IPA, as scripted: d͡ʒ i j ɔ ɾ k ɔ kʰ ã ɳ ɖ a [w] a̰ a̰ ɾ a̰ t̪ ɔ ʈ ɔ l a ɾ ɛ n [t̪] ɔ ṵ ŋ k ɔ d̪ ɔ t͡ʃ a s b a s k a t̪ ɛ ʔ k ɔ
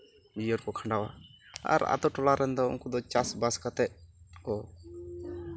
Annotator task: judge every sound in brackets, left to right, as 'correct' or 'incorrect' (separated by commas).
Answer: correct, incorrect